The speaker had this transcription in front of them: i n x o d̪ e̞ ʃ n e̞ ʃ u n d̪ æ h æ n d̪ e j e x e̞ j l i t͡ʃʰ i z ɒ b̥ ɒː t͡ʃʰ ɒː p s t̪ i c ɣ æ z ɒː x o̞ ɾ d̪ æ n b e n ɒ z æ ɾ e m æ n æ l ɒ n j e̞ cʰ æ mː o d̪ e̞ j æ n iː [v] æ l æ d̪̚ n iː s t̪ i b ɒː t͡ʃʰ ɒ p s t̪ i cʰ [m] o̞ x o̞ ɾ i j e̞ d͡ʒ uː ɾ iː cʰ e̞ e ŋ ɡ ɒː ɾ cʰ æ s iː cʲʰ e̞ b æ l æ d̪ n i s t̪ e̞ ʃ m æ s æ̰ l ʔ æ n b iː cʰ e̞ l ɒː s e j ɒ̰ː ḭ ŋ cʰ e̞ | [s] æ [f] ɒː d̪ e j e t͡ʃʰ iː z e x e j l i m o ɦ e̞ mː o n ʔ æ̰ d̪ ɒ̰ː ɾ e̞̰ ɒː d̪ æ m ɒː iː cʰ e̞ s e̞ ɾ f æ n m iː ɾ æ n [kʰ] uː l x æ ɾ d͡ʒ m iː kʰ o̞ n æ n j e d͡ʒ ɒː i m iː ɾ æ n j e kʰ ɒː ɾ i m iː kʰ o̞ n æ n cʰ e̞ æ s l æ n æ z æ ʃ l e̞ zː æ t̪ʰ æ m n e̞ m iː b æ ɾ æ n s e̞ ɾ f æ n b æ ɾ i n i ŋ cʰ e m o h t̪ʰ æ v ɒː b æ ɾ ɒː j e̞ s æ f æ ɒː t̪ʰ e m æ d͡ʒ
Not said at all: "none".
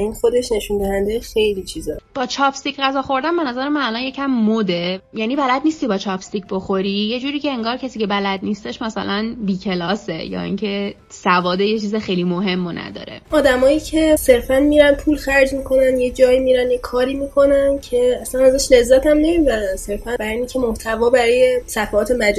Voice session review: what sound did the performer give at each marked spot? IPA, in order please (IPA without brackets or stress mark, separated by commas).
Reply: b, b, s, v, pʰ